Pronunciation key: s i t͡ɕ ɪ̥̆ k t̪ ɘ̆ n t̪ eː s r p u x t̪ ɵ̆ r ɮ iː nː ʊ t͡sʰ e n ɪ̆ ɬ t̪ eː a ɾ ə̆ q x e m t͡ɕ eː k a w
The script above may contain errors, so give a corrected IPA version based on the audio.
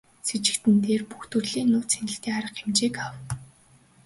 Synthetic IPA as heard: s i t͡ɕ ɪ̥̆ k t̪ ɘ̆ n t̪ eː r p u x t̪ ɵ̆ r ɮ iː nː ʊː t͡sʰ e n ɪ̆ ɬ t̪ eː a ɾ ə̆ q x e m t͡ɕ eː k a w